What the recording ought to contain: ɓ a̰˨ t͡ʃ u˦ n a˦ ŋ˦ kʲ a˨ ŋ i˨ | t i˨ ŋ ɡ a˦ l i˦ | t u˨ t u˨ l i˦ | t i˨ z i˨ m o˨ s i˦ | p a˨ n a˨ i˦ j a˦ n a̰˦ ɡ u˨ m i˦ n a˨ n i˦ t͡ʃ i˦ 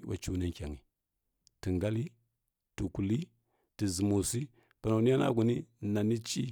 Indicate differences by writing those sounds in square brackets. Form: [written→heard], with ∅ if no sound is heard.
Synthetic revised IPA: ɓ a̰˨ t͡ʃ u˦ n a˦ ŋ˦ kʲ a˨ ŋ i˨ | t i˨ ŋ ɡ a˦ l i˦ | t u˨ [t→k] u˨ l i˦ | t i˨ z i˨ m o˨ s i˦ | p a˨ n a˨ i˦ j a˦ n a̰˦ ɡ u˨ [m→n] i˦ n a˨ n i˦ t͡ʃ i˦